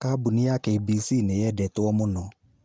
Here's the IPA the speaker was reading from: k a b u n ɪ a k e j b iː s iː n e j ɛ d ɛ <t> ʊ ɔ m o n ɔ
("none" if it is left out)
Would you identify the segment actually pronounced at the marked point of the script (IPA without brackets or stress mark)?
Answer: t